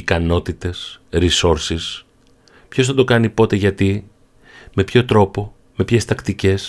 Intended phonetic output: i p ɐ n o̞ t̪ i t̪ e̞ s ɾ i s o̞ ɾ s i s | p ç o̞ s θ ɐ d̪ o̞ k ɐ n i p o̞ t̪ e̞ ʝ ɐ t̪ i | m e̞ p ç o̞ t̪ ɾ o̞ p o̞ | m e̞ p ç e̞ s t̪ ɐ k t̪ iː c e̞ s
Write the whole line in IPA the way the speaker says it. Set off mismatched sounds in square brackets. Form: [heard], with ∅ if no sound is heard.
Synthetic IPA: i [k] ɐ n o̞ t̪ i t̪ e̞ s ɾ i s o̞ ɾ s i s | p ç o̞ s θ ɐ d̪ o̞ k ɐ n i p o̞ t̪ e̞ ʝ ɐ t̪ i | m e̞ p ç o̞ t̪ ɾ o̞ p o̞ | m e̞ p ç e̞ s t̪ ɐ k t̪ [i] c e̞ s